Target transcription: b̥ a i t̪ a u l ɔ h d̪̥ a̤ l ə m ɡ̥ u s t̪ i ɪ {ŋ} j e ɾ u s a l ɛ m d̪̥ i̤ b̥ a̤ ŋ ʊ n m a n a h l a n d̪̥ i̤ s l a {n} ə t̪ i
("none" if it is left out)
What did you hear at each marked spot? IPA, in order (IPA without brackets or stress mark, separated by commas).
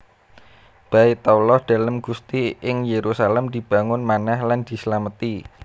ŋ, m